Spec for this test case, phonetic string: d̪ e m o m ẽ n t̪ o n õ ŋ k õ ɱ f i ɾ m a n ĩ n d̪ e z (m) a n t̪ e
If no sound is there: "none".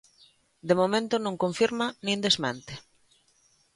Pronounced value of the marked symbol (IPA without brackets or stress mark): m